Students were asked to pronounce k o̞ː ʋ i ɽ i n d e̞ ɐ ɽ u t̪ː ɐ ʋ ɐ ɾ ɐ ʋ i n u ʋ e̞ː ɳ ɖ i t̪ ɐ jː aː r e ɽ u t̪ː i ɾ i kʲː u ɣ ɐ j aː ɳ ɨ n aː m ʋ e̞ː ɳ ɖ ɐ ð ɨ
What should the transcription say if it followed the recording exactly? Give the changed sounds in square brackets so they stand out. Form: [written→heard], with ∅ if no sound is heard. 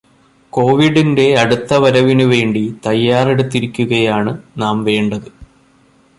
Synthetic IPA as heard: k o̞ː ʋ i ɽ i n d e̞ ɐ ɽ u t̪ː ɐ ʋ ɐ ɾ ɐ ʋ i n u ʋ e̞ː ɳ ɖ i t̪ ɐ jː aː r e ɽ u t̪ː i ɾ i kʲː u ɣ ɐ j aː ɳ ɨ n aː m ʋ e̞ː ɳ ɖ ɐ ð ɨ